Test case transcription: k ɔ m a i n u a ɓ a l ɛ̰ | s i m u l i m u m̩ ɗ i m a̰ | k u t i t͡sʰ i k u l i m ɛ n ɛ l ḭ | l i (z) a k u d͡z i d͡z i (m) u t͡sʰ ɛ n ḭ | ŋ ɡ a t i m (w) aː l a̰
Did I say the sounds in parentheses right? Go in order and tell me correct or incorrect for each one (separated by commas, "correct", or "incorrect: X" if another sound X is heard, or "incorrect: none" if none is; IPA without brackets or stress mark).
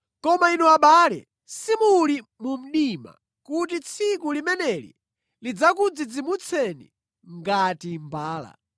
incorrect: d͡z, correct, incorrect: b